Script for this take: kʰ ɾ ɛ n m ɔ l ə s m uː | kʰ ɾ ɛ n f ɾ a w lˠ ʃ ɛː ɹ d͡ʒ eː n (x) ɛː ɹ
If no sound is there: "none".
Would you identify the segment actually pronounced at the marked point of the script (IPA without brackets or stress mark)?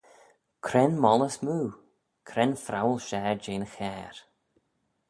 x